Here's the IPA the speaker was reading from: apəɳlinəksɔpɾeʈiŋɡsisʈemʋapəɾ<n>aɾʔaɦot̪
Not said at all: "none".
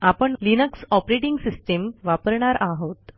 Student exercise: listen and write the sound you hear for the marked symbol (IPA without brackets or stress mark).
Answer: ɳ